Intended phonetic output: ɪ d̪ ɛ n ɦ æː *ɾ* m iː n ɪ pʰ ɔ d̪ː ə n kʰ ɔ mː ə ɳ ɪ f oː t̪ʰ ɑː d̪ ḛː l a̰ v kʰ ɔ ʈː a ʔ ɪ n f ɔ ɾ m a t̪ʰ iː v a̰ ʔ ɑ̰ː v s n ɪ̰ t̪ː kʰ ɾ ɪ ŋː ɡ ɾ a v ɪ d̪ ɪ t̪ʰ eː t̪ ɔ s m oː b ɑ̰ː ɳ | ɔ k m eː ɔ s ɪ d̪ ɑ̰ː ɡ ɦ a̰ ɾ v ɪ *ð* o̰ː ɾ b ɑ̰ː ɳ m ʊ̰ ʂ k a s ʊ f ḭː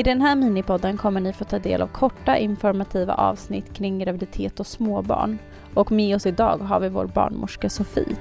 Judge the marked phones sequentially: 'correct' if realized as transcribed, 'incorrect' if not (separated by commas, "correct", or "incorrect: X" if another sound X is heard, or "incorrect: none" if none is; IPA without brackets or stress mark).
correct, incorrect: v